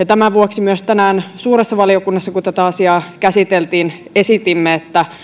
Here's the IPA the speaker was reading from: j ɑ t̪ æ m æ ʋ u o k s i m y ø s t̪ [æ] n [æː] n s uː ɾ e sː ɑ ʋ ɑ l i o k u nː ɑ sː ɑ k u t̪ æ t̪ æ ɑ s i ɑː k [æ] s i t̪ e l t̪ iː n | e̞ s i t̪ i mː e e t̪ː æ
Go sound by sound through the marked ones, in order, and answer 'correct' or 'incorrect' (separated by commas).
correct, correct, correct